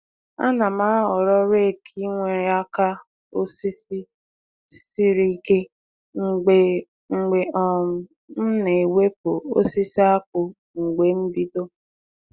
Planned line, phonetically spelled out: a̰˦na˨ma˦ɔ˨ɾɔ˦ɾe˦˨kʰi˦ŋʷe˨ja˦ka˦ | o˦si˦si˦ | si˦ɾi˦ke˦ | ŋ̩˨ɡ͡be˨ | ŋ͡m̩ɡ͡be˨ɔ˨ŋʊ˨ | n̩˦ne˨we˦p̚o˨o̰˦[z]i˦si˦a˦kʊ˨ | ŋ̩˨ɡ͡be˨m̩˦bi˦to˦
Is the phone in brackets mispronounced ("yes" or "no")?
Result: yes